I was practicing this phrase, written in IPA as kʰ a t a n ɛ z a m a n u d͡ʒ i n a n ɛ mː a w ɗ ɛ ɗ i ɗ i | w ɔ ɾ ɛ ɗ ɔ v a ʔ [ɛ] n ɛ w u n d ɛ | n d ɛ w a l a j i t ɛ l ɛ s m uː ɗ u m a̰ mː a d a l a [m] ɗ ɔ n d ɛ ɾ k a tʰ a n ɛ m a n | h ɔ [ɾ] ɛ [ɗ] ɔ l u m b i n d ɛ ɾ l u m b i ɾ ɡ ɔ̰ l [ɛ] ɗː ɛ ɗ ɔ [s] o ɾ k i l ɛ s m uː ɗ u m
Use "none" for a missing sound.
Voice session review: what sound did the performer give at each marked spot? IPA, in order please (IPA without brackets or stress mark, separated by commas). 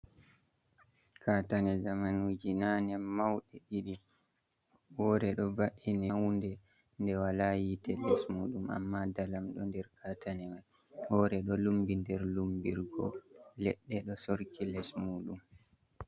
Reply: i, m, ɾ, ɗ, ɛ, s